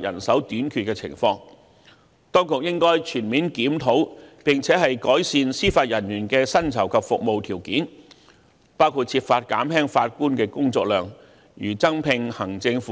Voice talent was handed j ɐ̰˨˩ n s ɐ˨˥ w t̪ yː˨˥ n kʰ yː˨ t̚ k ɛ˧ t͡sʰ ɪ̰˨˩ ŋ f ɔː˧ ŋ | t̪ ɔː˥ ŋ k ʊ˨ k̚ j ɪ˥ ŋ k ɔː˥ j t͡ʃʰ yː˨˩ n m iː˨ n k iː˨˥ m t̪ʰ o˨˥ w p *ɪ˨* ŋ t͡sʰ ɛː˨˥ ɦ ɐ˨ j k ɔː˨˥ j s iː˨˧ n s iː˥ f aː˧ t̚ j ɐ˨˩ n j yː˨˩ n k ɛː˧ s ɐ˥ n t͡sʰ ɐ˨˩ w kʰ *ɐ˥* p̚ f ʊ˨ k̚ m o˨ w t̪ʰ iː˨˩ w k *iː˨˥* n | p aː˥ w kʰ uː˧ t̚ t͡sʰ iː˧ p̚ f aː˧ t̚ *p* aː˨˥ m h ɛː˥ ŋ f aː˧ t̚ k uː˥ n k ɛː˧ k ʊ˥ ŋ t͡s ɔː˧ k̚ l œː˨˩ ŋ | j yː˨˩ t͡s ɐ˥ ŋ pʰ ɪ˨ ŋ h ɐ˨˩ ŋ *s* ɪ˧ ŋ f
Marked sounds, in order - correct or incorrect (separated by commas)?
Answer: correct, incorrect, correct, incorrect, incorrect